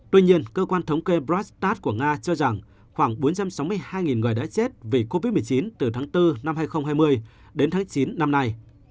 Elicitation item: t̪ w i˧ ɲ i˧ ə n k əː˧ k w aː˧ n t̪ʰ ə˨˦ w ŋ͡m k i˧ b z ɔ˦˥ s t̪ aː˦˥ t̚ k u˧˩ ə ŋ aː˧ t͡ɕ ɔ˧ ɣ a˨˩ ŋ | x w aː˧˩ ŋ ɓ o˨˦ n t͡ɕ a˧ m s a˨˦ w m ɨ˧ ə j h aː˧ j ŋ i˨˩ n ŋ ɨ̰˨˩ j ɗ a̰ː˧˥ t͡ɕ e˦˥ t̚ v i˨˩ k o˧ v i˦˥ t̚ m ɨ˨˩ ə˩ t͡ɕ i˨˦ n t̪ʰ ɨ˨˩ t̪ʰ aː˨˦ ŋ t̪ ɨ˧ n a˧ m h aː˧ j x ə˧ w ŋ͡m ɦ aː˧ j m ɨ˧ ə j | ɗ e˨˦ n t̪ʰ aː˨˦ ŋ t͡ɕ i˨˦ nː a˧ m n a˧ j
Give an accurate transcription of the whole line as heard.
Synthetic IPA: t̪ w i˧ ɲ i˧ ə n k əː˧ k w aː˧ n t̪ʰ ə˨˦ w ŋ͡m k e˧ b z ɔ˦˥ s t̪ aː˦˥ t̚ k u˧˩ ə ŋ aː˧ t͡ɕ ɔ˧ z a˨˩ ŋ | x w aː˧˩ ŋ ɓ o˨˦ n t͡ɕ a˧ m s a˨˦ w m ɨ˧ ə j h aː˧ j ŋ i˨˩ n ŋ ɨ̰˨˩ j ɗ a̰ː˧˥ t͡ɕ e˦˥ t̚ v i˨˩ k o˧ v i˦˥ t̚ m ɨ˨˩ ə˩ t͡ɕ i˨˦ n t̪ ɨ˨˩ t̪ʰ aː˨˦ ŋ t̪ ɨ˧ n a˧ m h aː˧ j x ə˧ w ŋ͡m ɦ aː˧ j m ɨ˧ ə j | ɗ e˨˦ n t̪ʰ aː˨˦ ŋ t͡ɕ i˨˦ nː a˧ m n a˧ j

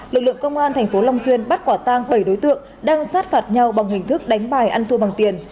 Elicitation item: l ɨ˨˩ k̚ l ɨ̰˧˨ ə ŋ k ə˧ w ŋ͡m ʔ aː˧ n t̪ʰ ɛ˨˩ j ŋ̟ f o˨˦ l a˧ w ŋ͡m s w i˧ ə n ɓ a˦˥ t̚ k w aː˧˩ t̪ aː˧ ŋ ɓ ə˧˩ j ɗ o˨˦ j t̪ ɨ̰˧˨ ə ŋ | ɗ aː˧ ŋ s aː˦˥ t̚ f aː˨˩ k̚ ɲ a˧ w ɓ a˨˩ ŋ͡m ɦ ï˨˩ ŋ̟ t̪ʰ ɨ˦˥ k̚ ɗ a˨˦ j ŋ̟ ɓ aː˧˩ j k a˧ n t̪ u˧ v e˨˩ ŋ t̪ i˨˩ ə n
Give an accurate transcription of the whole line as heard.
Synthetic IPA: l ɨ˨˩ k̚ l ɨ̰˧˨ ə ŋ k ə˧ w ŋ͡m ʔ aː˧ n t̪ʰ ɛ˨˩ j ŋ̟ f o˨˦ l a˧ w ŋ͡m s w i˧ ə n ɓ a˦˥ t̚ k w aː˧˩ t̪ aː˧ ŋ ɓ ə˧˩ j ɗ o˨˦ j t̪ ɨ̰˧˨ ə ŋ | ɗ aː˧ ŋ s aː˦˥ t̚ f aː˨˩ t̚ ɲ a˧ w ɓ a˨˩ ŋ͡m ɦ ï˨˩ ŋ̟ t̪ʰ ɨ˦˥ k̚ ɗ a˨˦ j ŋ̟ ɓ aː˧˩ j ʔ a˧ n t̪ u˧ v a˨˩ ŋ t̪ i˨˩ ə n

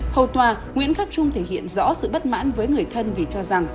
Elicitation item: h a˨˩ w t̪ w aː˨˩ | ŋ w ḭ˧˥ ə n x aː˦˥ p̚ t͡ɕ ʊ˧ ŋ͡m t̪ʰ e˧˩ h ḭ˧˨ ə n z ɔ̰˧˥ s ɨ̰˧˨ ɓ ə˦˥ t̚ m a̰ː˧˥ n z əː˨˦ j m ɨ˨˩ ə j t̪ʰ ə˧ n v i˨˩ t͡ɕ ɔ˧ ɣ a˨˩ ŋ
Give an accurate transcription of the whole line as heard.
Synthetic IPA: h ə˨˩ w t̪ w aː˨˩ | ŋ w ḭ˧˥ ə n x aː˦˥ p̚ t͡ɕ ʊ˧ ŋ͡m t̪ʰ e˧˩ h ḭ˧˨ ə n z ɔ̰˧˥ s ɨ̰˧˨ ɓ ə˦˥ t̚ m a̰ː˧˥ n v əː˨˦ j ŋ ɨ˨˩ ə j t̪ʰ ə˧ n v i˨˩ t͡ɕ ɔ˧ z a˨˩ ŋ

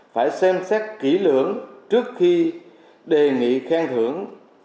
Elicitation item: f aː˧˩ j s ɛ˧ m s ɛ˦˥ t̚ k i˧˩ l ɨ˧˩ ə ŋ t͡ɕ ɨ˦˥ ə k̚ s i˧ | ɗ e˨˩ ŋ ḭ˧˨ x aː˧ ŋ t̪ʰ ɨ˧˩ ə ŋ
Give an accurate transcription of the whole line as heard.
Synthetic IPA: f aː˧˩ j s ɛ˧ m s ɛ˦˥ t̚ k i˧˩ l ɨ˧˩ ə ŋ t͡ɕ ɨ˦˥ ə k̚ x i˧ | ɗ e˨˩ ŋ ḭ˧˨ x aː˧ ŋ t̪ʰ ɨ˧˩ ə ŋ

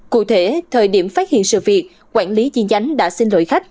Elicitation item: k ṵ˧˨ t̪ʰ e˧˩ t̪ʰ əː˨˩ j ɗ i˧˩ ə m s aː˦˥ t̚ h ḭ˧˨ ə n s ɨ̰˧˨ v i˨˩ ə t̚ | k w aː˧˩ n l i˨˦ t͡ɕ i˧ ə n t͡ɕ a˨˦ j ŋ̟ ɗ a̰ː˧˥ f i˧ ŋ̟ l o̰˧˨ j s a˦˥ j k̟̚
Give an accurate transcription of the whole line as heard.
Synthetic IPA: k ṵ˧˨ t̪ʰ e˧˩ t̪ʰ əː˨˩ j ɗ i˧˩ ə m f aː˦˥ t̚ h ḭ˧˨ ə n s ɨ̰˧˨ v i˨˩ ə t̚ | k w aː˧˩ n l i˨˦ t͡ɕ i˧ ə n t͡ɕ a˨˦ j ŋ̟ ɗ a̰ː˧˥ s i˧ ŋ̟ l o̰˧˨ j x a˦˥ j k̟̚

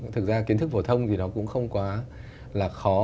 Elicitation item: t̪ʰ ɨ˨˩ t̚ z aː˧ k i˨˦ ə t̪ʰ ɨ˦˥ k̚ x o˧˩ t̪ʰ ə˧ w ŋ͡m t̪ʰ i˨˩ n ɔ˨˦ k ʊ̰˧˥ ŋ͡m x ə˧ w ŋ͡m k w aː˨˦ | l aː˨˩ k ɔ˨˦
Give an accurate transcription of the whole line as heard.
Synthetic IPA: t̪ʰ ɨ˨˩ k̚ z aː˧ k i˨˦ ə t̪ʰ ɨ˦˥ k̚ f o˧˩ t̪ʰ ə˧ w ŋ͡m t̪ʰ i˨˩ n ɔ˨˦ k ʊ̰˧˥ ŋ͡m x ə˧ w ŋ͡m k w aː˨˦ | l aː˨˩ x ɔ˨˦

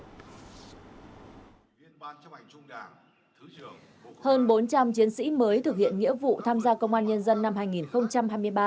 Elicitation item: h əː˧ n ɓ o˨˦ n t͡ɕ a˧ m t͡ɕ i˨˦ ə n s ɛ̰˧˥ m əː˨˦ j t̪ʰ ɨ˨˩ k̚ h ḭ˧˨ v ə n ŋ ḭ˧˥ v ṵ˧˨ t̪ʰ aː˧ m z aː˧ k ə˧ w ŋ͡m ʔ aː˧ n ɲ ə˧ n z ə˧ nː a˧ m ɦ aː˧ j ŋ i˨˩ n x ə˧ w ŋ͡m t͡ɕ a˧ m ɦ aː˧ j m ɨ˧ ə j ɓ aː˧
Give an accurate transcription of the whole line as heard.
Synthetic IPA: h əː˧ n ɓ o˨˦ n t͡ɕ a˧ m t͡ɕ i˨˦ ə n s ḭ˧˥ m əː˨˦ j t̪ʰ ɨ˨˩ k̚ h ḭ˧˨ ə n ŋ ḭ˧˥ v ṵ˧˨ t̪ʰ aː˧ m z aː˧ k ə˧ w ŋ͡m ʔ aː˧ n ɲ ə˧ n z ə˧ nː a˧ m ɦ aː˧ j ŋ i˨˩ n x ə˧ w ŋ͡m t͡ɕ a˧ m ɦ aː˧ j m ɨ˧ ə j ɓ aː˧

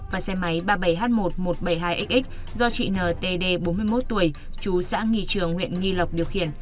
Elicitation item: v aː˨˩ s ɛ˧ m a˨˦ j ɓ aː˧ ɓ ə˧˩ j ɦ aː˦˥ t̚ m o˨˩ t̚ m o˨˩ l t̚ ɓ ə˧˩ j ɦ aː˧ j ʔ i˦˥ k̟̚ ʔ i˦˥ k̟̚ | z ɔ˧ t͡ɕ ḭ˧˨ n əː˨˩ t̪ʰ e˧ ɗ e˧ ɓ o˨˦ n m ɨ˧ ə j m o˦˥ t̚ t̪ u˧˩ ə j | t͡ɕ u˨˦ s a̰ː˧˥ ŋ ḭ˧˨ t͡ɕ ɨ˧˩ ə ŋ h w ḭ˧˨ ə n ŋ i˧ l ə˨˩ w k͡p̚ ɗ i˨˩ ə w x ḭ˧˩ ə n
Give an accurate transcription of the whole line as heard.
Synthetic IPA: v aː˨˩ s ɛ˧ m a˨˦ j ɓ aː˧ ɓ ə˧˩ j ɦ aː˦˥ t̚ m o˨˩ t̚ m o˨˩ t̚ ɓ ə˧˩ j ɦ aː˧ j ʔ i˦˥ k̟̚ ʔ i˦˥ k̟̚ | z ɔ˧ t͡ɕ ḭ˧˨ n əː˨˩ t̪ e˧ ɗ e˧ ɓ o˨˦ n m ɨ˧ ə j m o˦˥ t̚ t̪ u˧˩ ə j | t͡ɕ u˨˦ s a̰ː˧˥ ŋ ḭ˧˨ t͡ɕ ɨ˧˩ ə ŋ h w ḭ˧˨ ə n ŋ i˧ l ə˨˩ w k͡p̚ ɗ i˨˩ ə w x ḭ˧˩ ə n

